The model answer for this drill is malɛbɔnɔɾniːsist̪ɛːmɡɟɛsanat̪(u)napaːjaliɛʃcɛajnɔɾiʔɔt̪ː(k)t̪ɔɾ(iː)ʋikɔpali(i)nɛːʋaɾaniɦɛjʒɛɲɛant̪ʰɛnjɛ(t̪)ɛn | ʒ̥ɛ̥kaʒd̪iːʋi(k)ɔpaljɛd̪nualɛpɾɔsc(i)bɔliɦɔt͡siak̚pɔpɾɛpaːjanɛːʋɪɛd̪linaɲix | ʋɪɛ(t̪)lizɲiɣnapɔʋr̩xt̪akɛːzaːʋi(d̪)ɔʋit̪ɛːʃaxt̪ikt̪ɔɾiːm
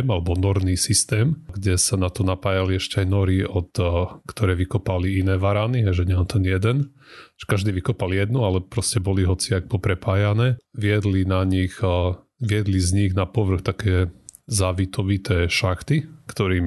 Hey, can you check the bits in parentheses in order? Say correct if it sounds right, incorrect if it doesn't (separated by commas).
incorrect, correct, incorrect, correct, incorrect, correct, incorrect, incorrect, incorrect